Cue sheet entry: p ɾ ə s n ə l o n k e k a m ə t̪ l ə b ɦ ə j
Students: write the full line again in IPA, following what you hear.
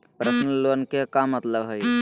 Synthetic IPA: p ɾ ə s n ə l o n k e k a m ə t̪ l ə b ɦ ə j